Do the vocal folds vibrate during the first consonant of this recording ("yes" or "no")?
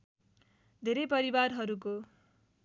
yes